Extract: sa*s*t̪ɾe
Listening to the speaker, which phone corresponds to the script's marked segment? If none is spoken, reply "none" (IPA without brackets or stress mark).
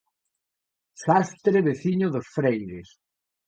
s